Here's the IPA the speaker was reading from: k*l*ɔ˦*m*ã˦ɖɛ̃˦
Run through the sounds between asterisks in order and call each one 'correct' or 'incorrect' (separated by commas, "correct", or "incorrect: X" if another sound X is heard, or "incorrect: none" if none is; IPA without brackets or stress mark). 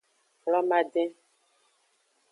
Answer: correct, correct